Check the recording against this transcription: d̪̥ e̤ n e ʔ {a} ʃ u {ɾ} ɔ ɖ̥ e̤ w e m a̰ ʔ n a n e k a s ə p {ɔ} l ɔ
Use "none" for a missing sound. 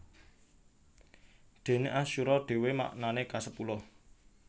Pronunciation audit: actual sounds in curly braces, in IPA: a, ɾ, u

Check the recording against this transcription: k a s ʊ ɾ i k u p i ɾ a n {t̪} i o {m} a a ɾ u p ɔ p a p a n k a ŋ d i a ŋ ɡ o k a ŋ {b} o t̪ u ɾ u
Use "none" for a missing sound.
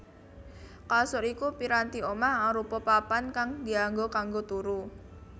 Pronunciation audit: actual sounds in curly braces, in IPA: t̪, m, ɡ

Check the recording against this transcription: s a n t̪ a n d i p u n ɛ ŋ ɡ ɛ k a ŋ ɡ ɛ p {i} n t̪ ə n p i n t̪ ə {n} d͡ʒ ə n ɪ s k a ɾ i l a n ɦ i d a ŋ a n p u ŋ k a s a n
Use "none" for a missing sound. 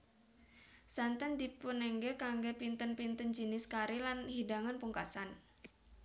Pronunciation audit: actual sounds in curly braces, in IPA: i, n

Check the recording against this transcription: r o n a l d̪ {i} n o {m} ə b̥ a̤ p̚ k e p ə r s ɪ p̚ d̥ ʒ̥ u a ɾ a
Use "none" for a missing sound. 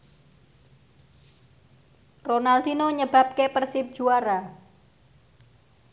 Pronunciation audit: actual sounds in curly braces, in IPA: i, ɲ

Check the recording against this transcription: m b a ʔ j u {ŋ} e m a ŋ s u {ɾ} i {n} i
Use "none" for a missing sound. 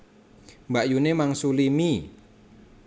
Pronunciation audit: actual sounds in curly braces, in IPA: n, l, m

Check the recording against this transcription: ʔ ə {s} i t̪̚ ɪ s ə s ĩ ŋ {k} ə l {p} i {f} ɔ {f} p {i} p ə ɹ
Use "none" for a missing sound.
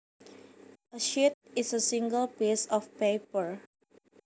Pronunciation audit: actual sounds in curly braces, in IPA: ʃ, ɡ, p, s, f, e

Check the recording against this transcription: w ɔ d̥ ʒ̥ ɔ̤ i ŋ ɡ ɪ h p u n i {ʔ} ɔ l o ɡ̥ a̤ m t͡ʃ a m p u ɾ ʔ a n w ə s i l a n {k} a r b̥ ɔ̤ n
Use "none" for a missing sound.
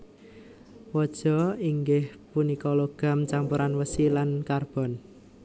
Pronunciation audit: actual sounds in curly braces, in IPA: k, k

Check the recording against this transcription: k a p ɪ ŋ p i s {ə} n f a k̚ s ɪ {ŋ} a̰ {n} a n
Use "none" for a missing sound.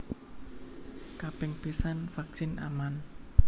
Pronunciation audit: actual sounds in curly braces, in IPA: a, n, m

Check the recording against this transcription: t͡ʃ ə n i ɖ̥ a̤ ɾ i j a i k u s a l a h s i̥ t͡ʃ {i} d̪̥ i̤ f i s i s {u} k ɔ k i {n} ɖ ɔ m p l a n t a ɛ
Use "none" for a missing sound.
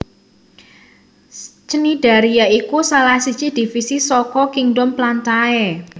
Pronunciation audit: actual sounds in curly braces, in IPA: i, ɔ, ŋ

